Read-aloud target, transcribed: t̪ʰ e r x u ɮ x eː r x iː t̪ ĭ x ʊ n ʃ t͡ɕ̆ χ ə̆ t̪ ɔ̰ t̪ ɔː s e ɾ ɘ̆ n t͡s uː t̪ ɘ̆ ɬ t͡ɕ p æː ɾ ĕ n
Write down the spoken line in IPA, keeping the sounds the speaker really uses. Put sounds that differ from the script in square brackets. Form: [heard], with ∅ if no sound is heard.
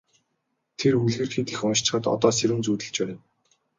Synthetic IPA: t̪ʰ e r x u ɮ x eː r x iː t̪ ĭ x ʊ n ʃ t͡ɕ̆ χ ə̆ t̪ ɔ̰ t̪ ɔː s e ɾ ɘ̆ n t͡s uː t̪ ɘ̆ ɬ t͡ɕ p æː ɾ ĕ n